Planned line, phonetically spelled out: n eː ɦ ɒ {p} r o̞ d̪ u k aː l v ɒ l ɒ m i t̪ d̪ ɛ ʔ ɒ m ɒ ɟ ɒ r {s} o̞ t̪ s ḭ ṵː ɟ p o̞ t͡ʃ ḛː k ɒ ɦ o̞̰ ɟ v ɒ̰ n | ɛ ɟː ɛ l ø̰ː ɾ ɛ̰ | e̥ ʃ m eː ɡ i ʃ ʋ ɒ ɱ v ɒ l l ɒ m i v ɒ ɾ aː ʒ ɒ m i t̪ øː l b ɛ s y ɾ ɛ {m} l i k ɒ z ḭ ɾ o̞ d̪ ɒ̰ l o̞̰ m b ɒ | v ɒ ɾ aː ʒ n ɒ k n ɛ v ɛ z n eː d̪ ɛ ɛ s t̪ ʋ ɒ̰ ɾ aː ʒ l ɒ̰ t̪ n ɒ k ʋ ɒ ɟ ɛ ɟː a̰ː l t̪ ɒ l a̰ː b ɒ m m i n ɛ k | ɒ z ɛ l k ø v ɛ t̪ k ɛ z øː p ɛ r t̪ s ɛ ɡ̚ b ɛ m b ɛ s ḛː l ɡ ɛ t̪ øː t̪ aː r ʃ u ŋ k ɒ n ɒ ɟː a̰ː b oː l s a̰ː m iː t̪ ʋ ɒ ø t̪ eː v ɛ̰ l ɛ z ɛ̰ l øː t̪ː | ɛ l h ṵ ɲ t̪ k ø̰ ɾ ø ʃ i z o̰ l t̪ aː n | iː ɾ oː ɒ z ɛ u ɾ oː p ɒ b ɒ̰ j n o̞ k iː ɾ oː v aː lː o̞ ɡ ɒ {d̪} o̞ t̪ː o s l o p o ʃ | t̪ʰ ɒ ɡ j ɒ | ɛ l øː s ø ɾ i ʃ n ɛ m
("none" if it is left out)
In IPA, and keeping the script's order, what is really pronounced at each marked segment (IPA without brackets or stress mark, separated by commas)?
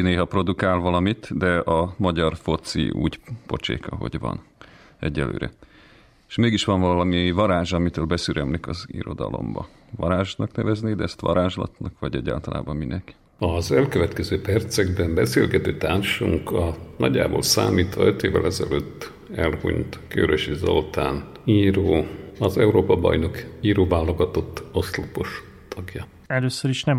p, f, m, t̪